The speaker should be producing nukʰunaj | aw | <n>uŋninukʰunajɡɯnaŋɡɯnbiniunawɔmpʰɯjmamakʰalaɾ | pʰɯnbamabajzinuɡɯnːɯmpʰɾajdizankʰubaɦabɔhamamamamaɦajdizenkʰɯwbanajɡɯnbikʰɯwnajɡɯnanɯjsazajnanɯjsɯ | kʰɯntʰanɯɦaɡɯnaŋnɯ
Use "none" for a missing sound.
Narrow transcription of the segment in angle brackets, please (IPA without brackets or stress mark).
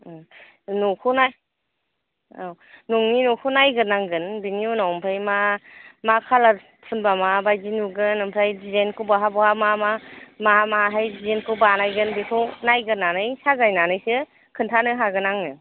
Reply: n